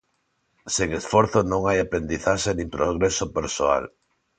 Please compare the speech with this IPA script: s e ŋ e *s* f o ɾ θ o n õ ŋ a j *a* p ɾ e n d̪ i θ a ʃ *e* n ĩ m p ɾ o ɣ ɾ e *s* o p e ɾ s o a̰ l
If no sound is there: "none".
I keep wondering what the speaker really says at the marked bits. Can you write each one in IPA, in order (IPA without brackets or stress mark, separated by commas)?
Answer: s, a, e, s